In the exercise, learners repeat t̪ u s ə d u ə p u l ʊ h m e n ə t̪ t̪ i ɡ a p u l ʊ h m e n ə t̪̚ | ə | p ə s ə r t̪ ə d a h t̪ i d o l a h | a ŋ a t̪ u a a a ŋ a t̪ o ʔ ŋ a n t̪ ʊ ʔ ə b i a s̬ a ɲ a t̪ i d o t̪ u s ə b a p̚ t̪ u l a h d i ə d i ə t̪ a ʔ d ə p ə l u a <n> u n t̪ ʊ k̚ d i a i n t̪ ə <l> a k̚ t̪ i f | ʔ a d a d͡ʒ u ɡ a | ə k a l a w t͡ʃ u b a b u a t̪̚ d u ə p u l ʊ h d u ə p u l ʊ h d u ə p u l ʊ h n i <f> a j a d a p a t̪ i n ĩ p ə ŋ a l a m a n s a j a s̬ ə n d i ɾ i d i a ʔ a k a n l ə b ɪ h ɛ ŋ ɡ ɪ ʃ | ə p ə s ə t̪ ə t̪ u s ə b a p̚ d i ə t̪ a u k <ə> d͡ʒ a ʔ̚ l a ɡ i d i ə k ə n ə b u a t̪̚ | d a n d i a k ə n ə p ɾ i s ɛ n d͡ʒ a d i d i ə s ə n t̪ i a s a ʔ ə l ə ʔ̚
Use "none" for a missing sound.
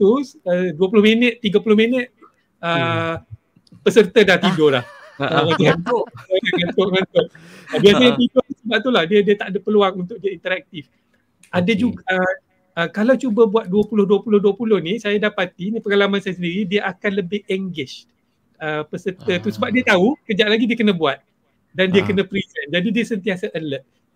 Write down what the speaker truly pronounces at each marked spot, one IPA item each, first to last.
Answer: ŋ, ɾ, s, ə

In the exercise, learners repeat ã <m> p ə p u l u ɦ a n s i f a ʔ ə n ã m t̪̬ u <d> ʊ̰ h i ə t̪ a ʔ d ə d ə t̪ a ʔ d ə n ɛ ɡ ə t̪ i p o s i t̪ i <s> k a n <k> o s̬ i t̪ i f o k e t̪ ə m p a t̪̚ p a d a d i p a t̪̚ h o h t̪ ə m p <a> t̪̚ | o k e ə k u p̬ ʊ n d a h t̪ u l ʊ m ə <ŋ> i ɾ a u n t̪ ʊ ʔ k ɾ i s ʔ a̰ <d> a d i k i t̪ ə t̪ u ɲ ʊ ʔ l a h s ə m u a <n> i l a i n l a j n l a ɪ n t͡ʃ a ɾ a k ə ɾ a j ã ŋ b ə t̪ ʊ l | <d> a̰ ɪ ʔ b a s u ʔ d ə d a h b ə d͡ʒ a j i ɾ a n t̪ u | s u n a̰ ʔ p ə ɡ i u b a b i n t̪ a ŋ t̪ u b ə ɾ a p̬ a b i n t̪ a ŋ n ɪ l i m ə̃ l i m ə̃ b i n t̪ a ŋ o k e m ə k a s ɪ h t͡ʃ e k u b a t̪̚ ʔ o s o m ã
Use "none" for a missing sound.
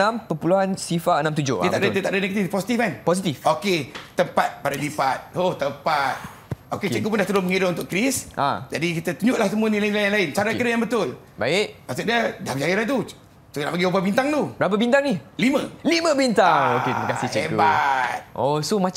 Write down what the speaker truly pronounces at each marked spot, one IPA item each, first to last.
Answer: m, d͡ʒ, f, p, a, ŋ, d͡ʒ, n, b

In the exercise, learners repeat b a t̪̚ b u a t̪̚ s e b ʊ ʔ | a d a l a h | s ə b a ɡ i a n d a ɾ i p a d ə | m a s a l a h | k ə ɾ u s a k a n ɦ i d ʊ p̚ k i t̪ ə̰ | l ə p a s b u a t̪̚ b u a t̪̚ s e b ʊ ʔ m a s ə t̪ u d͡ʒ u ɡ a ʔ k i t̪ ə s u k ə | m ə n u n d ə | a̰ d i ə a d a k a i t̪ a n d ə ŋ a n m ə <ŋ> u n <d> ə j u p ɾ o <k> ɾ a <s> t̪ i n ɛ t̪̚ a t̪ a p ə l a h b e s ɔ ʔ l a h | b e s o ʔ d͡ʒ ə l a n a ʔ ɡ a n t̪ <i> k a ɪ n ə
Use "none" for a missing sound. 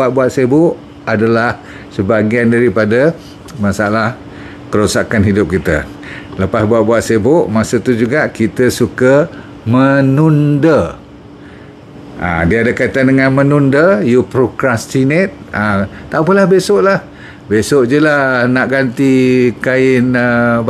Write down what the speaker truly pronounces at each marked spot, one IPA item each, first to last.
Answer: n, d, k, s, i

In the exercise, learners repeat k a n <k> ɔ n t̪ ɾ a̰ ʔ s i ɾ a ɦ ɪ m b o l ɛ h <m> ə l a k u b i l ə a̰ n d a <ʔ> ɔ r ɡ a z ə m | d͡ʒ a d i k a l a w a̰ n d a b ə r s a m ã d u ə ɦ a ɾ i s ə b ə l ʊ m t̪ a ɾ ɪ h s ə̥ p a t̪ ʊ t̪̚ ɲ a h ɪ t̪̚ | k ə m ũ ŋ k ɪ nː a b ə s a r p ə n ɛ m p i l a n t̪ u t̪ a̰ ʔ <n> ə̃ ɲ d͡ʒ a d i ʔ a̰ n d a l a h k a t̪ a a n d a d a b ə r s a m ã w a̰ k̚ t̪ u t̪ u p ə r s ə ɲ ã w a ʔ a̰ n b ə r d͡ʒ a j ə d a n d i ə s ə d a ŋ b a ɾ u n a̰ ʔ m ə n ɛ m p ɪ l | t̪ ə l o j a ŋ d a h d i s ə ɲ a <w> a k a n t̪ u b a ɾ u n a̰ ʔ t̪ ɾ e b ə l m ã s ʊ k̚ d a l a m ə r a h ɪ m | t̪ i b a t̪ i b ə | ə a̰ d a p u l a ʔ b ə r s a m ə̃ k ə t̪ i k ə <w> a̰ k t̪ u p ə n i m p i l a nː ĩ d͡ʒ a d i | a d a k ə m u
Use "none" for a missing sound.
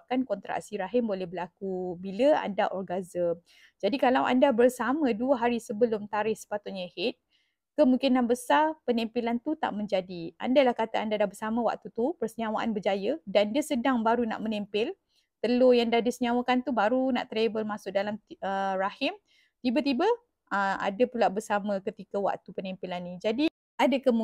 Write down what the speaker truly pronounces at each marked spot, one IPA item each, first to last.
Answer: k, b, ʔ, m, w, w

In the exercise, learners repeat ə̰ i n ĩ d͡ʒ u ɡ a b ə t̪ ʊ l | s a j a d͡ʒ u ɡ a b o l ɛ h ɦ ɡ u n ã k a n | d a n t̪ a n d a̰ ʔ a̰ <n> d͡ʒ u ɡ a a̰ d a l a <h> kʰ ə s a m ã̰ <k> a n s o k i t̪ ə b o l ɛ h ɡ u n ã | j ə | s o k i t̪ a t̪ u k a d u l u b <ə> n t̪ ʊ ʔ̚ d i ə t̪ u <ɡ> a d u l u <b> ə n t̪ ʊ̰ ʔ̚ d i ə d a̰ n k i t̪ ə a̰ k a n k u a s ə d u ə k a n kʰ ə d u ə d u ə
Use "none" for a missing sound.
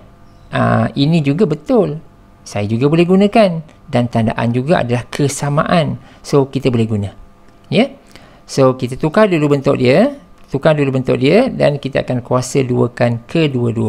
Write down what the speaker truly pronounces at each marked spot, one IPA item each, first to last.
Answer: n, h, ʔ, ə, k, b

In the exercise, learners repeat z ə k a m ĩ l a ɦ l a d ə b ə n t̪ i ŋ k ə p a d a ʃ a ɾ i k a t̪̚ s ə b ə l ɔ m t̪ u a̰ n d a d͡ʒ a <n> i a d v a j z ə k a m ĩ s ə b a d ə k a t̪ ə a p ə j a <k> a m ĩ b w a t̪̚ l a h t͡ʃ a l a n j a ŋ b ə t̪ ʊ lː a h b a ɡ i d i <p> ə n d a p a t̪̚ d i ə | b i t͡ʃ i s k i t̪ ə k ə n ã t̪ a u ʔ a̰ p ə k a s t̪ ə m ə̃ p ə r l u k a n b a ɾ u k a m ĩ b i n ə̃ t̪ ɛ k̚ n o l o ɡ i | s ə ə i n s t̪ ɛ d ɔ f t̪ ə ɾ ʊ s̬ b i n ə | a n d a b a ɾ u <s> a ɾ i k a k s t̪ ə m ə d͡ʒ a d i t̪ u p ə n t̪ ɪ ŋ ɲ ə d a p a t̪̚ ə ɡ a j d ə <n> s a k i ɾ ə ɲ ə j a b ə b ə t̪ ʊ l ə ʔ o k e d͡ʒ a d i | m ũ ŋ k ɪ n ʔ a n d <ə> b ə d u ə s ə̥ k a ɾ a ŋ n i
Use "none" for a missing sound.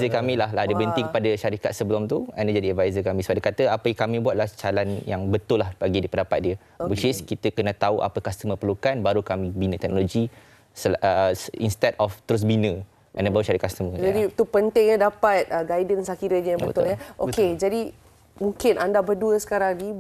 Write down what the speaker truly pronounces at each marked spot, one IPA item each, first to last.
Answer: d, k, p, ʃ, n, a

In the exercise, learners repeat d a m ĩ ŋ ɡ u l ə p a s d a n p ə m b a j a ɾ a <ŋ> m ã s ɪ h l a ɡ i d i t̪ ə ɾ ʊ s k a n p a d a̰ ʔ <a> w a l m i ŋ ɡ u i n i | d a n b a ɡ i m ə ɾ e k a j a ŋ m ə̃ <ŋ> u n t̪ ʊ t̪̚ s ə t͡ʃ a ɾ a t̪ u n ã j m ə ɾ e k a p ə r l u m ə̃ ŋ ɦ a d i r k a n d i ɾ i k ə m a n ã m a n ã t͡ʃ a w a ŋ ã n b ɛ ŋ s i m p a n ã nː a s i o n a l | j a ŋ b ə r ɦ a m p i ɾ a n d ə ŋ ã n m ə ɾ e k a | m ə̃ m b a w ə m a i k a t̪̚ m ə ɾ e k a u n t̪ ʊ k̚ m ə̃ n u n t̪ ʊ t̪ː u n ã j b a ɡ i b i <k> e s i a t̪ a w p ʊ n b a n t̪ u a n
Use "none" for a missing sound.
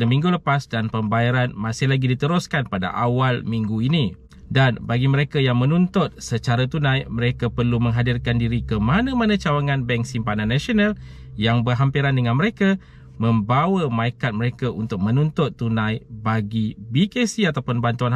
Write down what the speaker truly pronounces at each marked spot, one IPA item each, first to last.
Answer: n, a, n, k

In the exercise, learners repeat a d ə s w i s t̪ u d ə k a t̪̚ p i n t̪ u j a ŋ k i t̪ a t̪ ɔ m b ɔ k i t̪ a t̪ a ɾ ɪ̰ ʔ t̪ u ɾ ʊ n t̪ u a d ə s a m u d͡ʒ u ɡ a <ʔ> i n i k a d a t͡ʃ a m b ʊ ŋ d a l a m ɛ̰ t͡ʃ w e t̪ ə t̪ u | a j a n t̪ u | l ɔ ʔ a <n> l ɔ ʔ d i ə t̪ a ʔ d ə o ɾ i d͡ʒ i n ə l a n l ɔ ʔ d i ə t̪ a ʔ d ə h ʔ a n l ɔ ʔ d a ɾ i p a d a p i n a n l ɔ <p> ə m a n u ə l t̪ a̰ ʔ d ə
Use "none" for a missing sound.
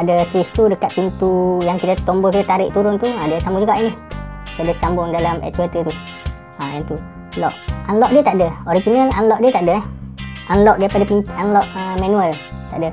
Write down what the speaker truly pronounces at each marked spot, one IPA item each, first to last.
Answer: ʔ, n, ʔ

